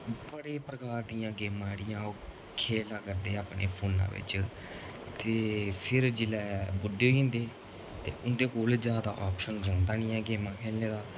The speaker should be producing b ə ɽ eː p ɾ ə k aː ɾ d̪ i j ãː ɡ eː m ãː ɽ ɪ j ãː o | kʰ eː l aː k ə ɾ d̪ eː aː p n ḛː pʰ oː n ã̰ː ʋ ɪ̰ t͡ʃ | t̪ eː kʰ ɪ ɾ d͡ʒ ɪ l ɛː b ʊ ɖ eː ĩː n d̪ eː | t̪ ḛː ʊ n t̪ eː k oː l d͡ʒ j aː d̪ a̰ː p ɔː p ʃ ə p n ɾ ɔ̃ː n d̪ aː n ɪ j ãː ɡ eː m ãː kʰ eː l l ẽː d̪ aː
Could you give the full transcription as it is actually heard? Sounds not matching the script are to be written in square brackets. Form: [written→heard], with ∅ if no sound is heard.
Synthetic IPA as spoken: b ə ɽ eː p ɾ ə k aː ɾ d̪ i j ãː ɡ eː m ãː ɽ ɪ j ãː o | kʰ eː l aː k ə ɾ d̪ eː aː p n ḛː pʰ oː n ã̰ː ʋ ɪ̰ t͡ʃ | t̪ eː [kʰ→pʰ] ɪ ɾ d͡ʒ ɪ l ɛː b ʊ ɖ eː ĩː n d̪ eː | t̪ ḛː ʊ n [t̪→d̪] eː k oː l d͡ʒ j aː d̪ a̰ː [p→ʔ] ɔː p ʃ ə [p→∅] n ɾ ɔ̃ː n d̪ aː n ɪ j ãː ɡ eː m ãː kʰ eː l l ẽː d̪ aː